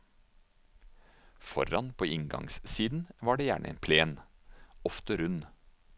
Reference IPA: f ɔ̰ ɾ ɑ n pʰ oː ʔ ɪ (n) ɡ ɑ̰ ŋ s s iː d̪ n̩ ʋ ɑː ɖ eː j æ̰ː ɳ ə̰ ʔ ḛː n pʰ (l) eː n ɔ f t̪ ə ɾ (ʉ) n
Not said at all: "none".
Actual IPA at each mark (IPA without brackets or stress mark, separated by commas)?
ŋ, l, ʉ